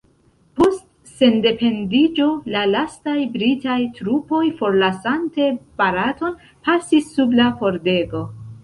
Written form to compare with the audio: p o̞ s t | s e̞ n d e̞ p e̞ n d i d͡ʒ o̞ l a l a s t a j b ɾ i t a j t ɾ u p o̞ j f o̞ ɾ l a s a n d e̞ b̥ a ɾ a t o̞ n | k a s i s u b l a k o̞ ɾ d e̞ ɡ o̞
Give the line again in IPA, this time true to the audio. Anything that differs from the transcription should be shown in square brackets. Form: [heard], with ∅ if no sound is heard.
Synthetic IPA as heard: p o̞ s t | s e̞ n d e̞ p e̞ n d i d͡ʒ o̞ l a l a s t a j b ɾ i t a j t ɾ u p o̞ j f o̞ ɾ l a s a n [t] e̞ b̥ a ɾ a t o̞ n | [p] a s i [sː] u b l a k o̞ ɾ d e̞ ɡ o̞